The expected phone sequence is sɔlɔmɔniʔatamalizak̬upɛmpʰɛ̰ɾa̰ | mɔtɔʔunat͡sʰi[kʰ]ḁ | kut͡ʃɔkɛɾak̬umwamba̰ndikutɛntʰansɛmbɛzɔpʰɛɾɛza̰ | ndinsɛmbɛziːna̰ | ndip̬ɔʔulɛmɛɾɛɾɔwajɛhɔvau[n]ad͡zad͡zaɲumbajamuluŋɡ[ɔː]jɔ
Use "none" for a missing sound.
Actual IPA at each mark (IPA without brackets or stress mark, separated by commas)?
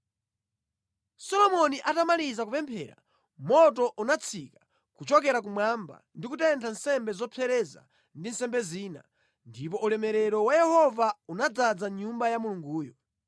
k, n, uː